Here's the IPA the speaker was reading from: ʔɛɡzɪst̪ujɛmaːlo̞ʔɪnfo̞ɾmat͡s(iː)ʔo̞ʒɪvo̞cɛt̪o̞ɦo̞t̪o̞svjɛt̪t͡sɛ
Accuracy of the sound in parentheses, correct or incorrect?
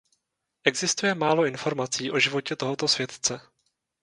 correct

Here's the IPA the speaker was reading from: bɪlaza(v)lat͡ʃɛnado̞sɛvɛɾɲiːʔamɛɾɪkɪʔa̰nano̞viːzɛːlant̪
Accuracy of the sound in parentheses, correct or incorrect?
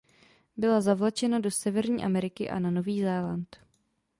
correct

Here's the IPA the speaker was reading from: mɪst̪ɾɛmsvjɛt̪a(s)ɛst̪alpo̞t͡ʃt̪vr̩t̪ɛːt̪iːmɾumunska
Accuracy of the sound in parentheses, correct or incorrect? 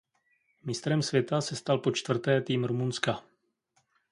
correct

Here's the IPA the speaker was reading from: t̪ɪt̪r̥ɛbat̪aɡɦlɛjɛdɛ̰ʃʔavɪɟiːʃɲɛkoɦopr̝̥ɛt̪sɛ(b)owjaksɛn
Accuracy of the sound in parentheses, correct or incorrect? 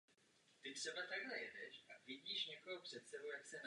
correct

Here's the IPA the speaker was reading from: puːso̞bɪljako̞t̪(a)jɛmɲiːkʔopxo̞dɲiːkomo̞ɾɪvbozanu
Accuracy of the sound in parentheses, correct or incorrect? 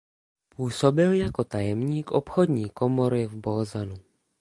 correct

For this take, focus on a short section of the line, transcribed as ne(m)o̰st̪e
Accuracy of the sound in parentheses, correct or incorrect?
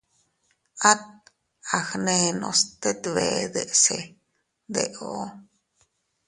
incorrect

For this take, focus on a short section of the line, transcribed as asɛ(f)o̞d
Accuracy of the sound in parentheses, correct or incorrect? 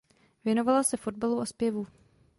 correct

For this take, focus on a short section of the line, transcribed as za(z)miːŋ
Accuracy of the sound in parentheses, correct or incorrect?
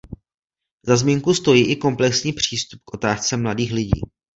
correct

